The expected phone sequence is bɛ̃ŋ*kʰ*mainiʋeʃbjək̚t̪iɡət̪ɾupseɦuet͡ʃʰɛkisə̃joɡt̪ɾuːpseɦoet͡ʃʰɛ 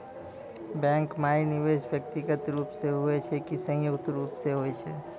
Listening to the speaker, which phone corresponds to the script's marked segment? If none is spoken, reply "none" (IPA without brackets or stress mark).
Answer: k